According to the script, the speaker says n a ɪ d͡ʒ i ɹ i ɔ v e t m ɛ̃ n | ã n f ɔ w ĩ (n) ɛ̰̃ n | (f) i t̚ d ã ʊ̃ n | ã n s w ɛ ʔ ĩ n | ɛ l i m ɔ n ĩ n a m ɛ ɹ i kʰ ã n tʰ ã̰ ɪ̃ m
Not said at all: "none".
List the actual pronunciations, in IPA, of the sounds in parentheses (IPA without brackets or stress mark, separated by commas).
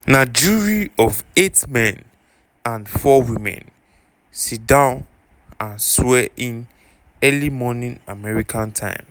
m, s